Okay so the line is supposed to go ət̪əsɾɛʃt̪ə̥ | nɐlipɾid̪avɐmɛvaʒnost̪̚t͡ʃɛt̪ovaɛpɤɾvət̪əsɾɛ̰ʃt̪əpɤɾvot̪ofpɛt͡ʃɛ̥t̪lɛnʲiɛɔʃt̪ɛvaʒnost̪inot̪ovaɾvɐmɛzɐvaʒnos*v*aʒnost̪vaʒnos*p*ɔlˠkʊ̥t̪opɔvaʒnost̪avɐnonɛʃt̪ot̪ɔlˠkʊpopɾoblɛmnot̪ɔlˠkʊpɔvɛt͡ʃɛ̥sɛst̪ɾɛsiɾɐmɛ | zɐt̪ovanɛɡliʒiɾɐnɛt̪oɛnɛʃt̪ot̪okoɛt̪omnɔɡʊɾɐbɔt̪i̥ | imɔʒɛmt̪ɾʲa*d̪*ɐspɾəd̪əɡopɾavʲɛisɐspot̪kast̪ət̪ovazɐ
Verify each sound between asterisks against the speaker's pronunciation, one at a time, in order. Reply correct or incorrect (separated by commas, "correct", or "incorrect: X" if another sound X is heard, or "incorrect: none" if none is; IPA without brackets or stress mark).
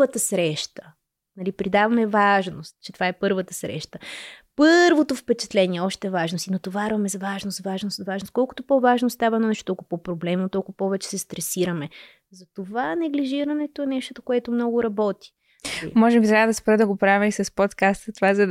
correct, incorrect: k, correct